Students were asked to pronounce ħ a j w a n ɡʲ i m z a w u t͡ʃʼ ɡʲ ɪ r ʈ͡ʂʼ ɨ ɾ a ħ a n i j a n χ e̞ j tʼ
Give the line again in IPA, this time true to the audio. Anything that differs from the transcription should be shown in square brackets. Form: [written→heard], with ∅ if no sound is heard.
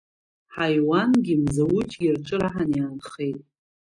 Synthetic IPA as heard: ħ a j w a n ɡʲ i m z a w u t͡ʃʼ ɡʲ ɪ r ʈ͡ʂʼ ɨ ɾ a ħ a n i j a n χ e̞ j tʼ